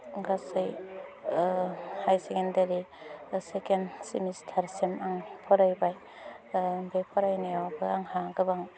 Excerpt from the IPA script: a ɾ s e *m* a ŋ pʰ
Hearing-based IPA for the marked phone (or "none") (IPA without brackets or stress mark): m